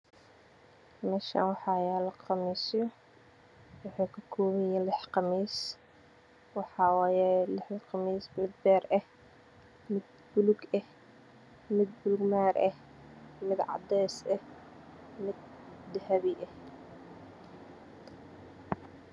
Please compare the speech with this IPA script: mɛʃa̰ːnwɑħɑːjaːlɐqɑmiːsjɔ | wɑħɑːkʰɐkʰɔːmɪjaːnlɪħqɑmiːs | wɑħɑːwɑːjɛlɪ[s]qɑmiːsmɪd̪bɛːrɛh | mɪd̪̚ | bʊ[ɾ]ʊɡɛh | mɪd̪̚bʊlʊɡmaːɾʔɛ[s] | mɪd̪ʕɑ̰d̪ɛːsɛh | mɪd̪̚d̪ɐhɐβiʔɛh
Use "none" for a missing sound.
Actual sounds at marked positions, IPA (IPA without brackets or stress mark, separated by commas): ħ, l, h